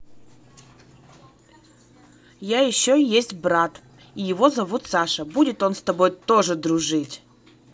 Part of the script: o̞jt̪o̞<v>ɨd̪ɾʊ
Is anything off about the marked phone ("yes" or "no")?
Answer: yes